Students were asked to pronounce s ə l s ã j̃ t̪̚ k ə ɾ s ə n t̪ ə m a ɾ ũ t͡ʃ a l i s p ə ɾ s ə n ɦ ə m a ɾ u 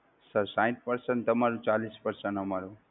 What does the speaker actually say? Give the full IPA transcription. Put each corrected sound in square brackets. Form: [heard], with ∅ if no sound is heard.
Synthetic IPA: s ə [ɾ] s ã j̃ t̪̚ [p] ə ɾ s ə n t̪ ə m a ɾ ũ t͡ʃ a l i s p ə ɾ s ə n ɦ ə m a ɾ u